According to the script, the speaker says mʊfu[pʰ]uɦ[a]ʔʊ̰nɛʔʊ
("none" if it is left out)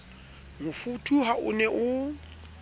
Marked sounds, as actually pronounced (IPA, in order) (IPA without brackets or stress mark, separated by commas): tʰ, a